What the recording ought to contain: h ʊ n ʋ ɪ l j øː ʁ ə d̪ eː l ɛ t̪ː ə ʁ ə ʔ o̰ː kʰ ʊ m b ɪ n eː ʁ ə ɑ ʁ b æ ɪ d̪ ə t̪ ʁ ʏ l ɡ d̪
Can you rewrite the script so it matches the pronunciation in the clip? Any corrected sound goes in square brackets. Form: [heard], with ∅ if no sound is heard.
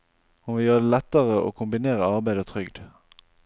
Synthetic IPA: h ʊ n ʋ ɪ l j øː ʁ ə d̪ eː l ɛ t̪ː ə ʁ ə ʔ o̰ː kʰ ʊ m b ɪ n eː ʁ ə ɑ ʁ b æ ɪ d̪ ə [t̪ʰ] ʁ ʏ [∅] ɡ d̪